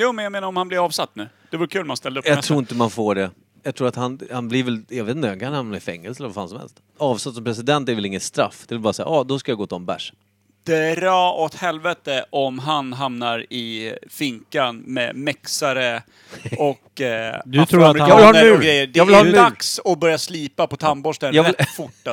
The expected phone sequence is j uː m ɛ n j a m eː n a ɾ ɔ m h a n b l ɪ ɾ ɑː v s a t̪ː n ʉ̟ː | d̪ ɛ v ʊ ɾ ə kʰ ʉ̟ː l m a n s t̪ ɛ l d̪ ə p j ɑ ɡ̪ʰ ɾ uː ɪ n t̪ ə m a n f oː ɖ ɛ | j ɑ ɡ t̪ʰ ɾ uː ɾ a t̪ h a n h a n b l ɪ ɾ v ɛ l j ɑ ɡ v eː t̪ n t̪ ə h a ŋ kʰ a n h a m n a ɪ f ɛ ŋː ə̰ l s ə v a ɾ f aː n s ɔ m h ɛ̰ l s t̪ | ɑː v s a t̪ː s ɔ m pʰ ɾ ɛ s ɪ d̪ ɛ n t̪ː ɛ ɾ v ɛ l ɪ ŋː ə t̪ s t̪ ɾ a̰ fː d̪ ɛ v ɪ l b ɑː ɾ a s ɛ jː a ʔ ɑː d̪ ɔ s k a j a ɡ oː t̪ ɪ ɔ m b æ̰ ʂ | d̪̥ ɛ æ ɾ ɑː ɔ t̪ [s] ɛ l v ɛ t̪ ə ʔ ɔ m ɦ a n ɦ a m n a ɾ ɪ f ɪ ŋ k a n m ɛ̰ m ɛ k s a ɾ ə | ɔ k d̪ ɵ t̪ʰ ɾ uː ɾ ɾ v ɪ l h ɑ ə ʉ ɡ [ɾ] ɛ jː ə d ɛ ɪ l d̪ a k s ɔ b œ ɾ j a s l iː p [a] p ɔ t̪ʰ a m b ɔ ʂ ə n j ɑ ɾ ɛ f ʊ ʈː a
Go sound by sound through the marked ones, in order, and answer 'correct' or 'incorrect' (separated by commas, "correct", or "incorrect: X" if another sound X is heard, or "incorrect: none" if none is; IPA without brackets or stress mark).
incorrect: h, correct, correct